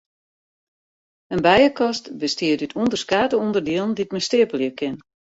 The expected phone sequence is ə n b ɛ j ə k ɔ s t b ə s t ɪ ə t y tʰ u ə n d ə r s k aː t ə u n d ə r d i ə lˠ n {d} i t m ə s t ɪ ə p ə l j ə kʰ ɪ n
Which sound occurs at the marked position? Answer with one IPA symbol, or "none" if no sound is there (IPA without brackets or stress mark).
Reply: d